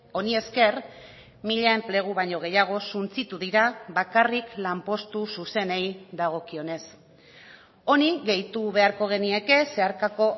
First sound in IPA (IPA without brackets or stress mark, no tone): o̞